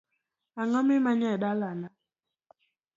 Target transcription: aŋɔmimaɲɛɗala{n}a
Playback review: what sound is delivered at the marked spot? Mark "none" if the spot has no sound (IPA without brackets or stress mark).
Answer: n